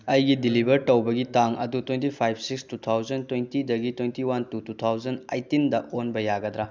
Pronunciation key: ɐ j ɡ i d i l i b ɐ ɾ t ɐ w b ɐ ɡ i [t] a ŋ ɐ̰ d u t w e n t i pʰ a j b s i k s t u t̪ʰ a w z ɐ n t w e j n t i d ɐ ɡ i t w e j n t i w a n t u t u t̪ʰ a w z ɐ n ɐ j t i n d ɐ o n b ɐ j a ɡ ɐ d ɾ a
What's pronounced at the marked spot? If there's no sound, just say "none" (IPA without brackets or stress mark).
t